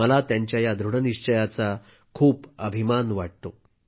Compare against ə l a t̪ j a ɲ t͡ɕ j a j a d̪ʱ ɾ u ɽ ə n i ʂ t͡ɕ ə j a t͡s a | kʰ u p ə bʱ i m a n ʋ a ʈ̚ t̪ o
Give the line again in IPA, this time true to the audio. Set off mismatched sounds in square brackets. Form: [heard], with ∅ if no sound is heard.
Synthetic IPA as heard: ə l a t̪ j a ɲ t͡ɕ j a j a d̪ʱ ɾ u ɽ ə n i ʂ t͡ɕ ə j a t͡s a | kʰ [uː] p ə bʱ i m a n ʋ a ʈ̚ t̪ o